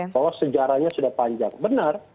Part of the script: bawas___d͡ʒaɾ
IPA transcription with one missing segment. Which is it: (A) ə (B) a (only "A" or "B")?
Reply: A